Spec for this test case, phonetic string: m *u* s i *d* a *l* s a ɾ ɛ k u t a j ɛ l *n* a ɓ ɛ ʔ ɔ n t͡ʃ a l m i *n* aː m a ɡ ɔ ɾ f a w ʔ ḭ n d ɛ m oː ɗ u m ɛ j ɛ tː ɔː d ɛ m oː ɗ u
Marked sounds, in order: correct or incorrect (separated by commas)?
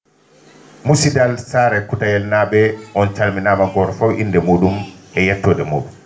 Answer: correct, correct, correct, correct, correct